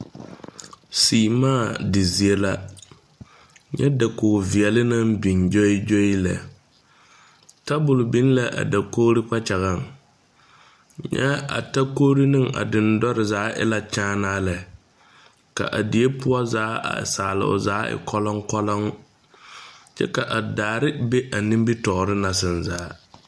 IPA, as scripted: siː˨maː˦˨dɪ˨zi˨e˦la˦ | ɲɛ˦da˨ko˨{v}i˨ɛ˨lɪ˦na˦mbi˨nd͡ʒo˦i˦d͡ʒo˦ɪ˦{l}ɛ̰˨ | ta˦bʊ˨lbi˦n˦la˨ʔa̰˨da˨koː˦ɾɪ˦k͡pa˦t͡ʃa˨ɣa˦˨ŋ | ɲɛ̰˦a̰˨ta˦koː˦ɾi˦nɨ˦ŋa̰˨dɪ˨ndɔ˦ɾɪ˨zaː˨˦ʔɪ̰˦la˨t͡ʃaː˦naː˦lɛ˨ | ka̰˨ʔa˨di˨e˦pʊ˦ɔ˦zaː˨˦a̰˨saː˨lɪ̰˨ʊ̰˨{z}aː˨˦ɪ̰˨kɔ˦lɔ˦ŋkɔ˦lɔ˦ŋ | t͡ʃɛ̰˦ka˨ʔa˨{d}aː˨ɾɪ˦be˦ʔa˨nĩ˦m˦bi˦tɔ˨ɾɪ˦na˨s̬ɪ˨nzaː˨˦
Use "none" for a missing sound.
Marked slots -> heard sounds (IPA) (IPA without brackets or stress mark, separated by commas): v, l, z, d